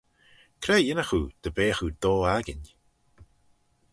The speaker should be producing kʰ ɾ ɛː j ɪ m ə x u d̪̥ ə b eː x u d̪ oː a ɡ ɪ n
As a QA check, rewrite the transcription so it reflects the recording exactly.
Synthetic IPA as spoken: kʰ ɾ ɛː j ɪ n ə x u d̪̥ ə b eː x u d̪ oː a ɡ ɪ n